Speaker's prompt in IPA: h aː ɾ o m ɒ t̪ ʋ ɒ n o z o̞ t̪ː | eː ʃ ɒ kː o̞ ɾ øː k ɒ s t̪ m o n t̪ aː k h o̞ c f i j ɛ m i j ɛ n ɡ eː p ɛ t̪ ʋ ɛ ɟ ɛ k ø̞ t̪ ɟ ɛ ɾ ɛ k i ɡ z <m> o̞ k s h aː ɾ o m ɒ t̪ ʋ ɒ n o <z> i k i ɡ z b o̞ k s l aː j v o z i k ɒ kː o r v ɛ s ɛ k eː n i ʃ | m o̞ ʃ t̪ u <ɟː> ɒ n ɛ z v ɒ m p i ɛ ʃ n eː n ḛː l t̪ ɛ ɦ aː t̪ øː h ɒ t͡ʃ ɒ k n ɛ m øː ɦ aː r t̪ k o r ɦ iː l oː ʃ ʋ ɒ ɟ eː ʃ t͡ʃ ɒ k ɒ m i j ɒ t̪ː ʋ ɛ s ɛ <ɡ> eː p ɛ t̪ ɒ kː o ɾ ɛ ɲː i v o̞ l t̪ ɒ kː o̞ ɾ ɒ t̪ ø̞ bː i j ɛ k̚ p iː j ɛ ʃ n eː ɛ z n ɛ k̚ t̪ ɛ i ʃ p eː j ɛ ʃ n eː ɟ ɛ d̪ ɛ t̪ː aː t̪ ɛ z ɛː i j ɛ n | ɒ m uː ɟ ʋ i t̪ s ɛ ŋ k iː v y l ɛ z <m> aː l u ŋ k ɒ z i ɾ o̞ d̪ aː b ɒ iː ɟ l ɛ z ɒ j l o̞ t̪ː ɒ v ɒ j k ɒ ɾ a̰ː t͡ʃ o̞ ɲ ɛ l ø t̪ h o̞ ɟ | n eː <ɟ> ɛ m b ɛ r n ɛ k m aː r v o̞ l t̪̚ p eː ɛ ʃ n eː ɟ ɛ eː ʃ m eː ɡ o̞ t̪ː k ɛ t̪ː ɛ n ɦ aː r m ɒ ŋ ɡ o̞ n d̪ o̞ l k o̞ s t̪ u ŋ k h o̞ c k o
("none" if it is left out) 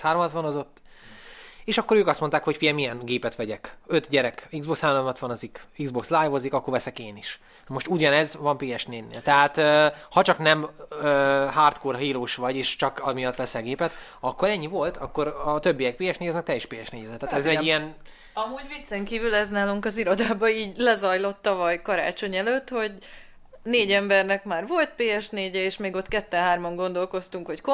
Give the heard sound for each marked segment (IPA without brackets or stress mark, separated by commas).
b, z, ɟ, ɡ, n, ɟ